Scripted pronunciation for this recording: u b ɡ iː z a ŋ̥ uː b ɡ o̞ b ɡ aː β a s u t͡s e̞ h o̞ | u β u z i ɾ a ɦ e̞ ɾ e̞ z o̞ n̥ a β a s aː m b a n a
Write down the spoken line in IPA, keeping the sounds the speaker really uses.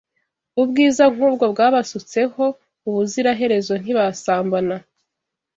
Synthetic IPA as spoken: u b ɡ iː z a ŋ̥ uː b ɡ o̞ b ɡ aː β a s u t͡s e̞ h o̞ | u β u z i ɾ a ɦ e̞ ɾ e̞ z o̞ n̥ i β a s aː m b a n a